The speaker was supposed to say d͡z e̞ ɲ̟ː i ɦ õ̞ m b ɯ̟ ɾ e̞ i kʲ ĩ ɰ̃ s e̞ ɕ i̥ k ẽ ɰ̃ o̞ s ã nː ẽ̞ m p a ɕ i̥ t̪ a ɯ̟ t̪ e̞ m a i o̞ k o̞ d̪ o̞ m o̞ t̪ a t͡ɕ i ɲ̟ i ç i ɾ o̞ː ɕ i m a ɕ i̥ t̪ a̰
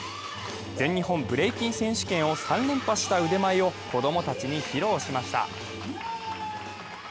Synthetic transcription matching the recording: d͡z ẽ̞ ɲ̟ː i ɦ õ̞ m b ɯ̟ ɾ e̞ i kʲ ĩ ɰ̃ s ẽ̞ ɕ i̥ k ẽ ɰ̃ o̞ s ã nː ẽ̞ m p a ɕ i̥ t̪ a ɯ̟ d̪ e̞ m a i o̞ k o̞ d̪ o̞ m o̞ t̪ a t͡ɕ i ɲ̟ i ç i ɾ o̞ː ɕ i m a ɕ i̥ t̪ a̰